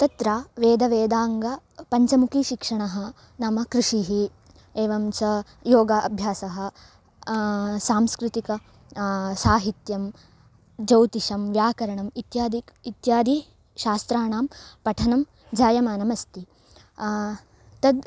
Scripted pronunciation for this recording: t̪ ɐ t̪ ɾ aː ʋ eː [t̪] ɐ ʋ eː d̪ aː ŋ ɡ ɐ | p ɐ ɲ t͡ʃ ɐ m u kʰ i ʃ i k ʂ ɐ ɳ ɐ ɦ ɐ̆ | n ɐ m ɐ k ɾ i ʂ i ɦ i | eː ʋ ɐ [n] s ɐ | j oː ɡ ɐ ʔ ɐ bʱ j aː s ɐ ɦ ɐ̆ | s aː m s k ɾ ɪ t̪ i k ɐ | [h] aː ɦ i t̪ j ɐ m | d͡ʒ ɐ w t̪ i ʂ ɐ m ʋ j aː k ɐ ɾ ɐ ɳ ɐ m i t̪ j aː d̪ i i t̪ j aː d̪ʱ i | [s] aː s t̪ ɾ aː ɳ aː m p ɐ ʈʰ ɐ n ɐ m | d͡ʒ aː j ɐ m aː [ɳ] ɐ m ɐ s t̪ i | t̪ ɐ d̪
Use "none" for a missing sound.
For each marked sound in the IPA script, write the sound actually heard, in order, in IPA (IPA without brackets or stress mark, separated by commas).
d̪, m, s, ʃ, n